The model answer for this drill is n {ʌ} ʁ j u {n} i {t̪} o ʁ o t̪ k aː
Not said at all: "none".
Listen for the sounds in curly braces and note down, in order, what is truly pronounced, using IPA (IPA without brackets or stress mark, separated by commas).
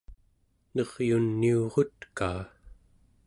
ʌ, nː, none